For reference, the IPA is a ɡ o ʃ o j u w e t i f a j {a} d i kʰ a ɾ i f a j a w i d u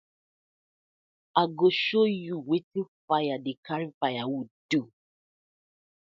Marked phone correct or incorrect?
correct